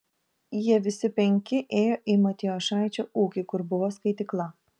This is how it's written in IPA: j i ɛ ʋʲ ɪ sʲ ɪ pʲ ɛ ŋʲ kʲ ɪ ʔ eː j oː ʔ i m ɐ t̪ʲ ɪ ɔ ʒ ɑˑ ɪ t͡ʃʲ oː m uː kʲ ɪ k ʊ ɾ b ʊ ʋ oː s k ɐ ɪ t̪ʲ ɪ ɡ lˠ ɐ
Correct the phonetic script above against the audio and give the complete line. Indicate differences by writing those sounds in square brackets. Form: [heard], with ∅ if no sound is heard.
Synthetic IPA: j i ɛ ʋʲ ɪ sʲ ɪ pʲ ɛ ŋʲ kʲ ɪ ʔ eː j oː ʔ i m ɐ t̪ʲ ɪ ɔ [ʃ] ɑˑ ɪ t͡ʃʲ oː [∅] uː kʲ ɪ k ʊ ɾ b ʊ ʋ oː s k ɐ ɪ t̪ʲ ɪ [k] lˠ ɐ